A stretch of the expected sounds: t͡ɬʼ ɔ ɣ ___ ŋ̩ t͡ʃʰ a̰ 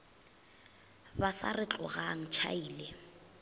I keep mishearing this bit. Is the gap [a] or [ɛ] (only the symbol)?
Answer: a